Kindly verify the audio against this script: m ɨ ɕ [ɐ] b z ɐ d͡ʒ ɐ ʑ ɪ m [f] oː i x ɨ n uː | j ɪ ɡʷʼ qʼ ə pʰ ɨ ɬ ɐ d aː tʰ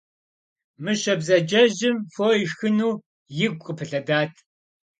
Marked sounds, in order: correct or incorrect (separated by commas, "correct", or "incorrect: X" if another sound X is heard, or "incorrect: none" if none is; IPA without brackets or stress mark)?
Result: correct, correct